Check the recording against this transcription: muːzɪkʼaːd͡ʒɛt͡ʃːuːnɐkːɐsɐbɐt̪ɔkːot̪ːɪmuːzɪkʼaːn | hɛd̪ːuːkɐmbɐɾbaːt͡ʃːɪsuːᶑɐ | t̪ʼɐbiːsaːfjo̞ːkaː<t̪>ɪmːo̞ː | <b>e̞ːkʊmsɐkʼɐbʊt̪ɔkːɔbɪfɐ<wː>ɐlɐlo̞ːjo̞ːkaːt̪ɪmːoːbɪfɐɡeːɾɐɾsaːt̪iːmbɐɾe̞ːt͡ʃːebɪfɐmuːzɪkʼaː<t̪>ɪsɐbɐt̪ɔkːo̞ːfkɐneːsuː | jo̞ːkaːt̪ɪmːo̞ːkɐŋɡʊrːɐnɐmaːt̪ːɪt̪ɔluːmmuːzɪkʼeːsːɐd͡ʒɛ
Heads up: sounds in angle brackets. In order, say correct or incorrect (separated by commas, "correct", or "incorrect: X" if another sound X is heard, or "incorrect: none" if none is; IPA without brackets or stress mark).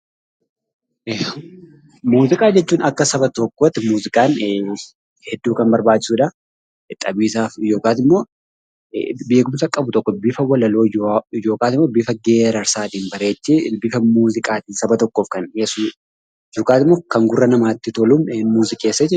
correct, correct, incorrect: w, correct